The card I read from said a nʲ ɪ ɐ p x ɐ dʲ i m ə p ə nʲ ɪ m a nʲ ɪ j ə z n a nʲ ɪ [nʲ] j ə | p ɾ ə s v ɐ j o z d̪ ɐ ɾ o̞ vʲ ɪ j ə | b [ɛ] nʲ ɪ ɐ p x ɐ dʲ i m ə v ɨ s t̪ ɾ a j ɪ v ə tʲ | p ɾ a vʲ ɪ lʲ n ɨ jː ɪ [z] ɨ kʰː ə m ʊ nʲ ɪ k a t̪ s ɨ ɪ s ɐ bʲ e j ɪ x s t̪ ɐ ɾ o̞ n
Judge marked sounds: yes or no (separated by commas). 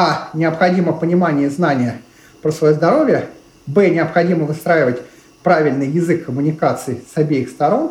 no, yes, yes